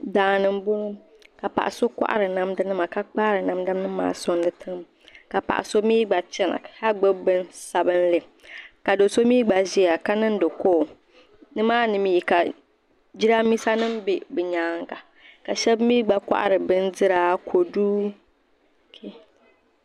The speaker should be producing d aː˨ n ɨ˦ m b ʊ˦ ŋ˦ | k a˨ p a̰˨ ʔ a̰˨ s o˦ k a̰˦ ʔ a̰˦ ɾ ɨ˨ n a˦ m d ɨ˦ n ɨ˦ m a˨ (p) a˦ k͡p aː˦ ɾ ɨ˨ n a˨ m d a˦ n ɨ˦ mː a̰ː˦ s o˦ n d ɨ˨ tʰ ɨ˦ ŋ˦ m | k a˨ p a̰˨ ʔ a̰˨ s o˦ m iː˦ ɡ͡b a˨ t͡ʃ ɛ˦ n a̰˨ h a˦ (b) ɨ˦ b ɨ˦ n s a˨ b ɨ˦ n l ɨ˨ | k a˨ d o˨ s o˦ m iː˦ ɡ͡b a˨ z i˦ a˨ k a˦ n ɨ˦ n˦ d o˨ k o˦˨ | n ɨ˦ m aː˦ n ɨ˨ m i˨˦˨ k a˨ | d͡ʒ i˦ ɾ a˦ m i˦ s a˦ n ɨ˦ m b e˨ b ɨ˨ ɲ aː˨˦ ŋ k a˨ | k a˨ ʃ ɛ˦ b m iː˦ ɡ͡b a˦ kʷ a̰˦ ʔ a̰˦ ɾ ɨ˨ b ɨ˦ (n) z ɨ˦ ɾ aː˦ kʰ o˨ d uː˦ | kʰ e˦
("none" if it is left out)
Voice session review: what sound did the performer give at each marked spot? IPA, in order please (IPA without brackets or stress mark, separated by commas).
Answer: k, ɡ͡b, n